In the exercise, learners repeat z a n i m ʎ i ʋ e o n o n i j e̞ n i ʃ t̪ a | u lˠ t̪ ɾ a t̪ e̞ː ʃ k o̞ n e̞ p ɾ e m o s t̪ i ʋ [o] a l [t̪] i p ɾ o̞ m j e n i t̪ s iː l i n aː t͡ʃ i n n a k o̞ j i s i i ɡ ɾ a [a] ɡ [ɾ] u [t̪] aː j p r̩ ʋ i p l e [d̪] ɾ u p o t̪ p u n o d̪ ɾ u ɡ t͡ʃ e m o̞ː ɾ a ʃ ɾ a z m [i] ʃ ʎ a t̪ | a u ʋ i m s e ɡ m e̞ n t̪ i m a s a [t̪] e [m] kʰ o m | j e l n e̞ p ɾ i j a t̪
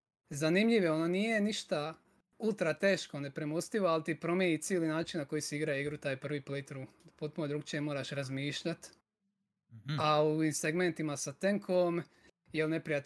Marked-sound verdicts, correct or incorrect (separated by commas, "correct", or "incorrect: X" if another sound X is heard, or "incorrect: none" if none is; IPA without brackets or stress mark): correct, correct, incorrect: i, correct, correct, incorrect: t̪, incorrect: iː, correct, incorrect: ŋ